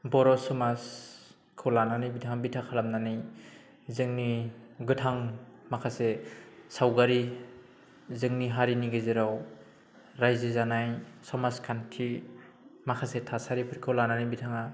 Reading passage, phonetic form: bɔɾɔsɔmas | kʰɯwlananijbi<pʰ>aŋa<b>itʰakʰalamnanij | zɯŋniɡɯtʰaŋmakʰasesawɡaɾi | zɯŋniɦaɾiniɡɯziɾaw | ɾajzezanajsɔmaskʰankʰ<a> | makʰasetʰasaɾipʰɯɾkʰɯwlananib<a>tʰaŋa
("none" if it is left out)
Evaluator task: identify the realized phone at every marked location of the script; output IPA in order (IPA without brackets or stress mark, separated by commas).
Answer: tʰ, b, i, i